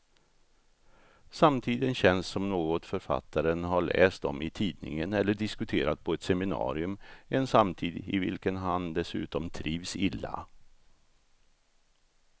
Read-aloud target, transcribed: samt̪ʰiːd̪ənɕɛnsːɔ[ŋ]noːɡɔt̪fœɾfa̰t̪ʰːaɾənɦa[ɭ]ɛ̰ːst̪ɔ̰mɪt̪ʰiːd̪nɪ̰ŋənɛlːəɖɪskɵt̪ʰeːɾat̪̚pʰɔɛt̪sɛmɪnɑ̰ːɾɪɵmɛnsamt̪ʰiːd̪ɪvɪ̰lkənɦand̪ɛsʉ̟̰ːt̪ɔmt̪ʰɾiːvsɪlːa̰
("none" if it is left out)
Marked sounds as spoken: m, ɭ

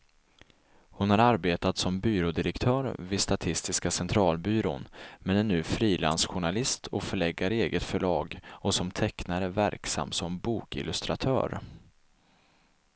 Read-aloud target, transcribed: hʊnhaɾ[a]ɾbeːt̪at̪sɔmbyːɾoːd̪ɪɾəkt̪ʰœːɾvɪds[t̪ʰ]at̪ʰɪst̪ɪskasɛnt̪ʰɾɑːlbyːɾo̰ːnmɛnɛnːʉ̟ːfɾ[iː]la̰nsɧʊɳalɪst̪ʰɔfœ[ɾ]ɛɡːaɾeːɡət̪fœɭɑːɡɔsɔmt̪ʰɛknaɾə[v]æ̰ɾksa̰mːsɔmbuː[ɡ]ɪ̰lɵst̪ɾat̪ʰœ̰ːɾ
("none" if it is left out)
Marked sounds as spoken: a, t̪, iː, ɭ, v, k

